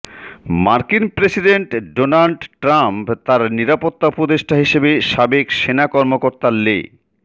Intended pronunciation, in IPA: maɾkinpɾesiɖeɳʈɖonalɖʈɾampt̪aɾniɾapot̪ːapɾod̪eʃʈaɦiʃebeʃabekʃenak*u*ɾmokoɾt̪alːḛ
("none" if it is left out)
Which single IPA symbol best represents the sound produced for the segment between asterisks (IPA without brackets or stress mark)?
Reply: ɔ